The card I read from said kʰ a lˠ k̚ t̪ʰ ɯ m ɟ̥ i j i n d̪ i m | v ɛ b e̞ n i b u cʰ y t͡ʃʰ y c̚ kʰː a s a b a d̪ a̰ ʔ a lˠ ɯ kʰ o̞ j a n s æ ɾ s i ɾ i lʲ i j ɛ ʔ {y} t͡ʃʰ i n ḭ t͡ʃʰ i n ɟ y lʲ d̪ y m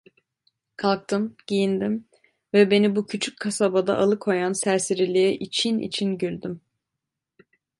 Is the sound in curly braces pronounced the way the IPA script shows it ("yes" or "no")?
no